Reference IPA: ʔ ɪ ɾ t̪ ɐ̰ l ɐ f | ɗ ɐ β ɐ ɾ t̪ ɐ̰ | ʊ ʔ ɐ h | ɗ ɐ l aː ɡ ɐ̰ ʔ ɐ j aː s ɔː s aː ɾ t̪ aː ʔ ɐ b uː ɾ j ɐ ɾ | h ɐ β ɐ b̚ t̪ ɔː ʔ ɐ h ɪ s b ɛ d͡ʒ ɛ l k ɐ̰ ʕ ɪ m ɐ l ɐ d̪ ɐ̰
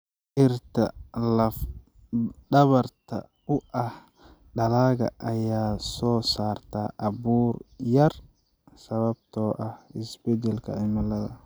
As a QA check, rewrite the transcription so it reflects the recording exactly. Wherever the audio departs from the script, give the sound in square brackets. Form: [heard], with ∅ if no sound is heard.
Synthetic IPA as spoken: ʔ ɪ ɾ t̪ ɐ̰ l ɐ f | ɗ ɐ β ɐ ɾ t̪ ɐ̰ | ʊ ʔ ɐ h | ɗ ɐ l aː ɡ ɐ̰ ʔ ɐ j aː s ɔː s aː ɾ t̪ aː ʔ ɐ b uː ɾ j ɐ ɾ | [s] ɐ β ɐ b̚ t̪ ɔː ʔ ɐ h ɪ s b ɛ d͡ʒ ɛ l k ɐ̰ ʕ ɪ m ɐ l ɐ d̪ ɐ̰